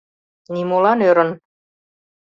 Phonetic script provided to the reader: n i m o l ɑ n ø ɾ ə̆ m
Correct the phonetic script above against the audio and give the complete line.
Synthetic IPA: n i m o l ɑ n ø ɾ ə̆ n